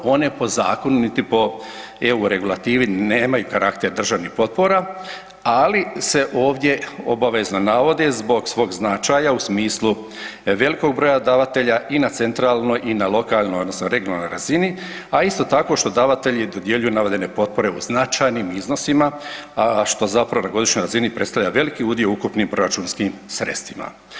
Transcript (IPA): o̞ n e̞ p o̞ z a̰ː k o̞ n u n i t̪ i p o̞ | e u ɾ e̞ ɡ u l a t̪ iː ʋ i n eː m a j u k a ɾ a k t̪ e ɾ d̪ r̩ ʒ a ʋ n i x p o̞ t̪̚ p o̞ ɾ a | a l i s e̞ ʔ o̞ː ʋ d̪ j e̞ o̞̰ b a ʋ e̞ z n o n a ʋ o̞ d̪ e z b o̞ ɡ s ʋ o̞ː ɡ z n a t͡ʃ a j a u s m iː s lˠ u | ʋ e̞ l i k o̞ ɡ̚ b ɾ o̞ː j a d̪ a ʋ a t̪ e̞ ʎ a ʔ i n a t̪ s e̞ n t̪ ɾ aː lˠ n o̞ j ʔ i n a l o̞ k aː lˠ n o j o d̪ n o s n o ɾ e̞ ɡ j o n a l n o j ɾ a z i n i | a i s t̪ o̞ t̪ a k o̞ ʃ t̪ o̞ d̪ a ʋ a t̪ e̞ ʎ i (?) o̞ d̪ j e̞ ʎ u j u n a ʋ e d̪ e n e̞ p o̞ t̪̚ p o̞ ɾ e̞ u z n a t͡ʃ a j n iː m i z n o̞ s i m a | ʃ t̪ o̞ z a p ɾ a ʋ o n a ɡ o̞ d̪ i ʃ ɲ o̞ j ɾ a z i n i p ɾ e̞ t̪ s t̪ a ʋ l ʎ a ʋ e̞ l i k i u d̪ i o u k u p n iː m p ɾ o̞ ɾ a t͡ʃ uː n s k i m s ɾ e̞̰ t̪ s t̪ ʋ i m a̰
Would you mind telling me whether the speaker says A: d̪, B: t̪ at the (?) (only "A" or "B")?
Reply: A